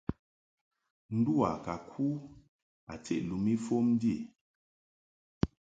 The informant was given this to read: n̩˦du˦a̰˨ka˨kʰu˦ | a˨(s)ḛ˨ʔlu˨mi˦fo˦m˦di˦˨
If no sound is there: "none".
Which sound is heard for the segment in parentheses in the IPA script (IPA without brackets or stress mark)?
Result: t͡s